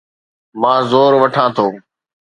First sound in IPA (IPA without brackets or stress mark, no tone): m